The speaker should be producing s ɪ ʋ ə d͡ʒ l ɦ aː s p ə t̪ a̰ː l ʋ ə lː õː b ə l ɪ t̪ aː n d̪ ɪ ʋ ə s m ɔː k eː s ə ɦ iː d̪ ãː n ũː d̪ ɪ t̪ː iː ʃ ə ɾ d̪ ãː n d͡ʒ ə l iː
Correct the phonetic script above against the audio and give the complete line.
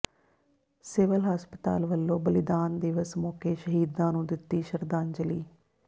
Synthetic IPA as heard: s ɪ ʋ ə l ɦ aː s p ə t̪ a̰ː l ʋ ə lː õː b ə l ɪ d̪ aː n d̪ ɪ ʋ ə s m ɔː k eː ʃ ə ɦ iː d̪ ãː n ũː d̪ ɪ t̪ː iː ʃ ə ɾ d̪ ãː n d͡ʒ ə l iː